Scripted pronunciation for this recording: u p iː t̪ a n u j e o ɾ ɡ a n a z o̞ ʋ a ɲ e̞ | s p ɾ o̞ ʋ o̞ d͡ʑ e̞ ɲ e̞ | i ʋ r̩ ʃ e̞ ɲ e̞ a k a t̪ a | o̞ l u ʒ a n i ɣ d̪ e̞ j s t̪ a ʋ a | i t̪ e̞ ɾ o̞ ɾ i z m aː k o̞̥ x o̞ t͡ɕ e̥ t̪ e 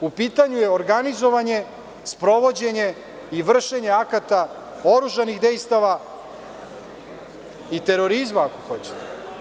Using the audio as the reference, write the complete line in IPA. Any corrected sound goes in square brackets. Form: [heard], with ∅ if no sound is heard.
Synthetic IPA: u p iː t̪ a [ɲ] u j e o ɾ ɡ a n [i] z o̞ ʋ a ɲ e̞ | s p ɾ o̞ ʋ o̞ d͡ʑ e̞ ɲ e̞ | i ʋ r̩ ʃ e̞ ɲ e̞ a k a t̪ a | o̞ [ɾ] u ʒ a n i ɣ d̪ e̞ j s t̪ a ʋ a | i t̪ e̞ ɾ o̞ ɾ i z m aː k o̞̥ x o̞ t͡ɕ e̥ t̪ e